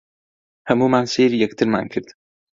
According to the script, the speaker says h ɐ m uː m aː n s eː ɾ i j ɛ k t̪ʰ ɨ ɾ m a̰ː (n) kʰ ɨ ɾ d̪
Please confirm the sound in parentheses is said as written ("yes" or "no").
yes